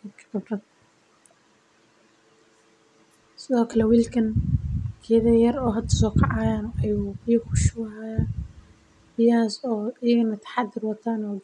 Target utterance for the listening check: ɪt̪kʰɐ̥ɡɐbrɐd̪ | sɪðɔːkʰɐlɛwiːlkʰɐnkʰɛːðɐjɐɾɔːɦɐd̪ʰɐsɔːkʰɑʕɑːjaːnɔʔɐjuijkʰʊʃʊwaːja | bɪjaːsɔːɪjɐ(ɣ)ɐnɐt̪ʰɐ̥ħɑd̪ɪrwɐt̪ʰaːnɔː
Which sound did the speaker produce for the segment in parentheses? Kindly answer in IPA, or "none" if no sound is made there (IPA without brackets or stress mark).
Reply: ɣ